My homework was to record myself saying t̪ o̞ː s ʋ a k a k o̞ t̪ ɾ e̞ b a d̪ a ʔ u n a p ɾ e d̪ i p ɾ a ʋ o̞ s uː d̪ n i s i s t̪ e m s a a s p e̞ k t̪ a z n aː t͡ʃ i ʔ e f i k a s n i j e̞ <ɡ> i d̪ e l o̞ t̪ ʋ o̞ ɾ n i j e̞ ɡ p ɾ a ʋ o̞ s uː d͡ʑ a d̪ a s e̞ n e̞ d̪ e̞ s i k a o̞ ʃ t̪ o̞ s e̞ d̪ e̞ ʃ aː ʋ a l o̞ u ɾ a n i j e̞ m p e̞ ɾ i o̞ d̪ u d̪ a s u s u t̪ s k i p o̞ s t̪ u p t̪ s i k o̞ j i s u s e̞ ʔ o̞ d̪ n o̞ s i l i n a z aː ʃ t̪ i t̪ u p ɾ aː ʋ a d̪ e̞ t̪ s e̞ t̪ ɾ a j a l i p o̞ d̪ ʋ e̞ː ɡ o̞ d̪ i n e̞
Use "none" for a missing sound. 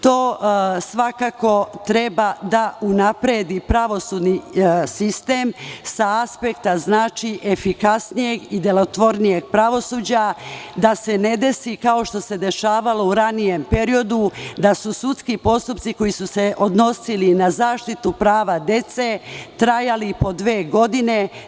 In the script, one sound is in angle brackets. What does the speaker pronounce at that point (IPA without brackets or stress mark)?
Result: ɡ